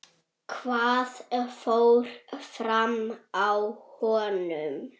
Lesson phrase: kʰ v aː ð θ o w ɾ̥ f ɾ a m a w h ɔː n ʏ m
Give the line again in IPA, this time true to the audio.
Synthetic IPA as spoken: kʰ v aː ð f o w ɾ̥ f ɾ a m a w h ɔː n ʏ m